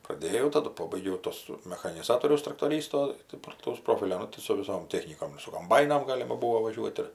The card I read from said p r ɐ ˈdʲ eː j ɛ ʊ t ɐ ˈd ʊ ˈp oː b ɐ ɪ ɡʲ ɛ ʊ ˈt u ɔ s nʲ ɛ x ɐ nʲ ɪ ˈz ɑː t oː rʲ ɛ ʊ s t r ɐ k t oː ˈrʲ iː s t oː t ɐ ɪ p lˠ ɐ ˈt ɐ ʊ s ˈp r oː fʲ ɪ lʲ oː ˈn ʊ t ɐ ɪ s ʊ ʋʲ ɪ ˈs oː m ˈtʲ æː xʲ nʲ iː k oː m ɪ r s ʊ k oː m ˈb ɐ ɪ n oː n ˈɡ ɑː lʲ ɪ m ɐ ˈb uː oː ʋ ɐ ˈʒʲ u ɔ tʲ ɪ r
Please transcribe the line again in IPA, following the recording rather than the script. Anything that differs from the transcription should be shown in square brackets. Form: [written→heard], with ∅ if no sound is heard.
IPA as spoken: p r ɐ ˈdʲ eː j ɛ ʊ t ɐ ˈd ʊ ˈp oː b ɐ ɪ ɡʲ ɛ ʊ ˈt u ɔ s [nʲ→mʲ] ɛ x ɐ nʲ ɪ ˈz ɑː t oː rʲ ɛ ʊ s t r ɐ k t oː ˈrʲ iː s t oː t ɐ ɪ p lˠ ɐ ˈt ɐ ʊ s ˈp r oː fʲ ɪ lʲ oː ˈn ʊ t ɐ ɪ s ʊ ʋʲ ɪ ˈs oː m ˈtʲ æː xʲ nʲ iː k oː m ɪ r s ʊ k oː m ˈb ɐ ɪ n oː [n→m] ˈɡ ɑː lʲ ɪ m ɐ ˈb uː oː ʋ ɐ ˈʒʲ u ɔ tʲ ɪ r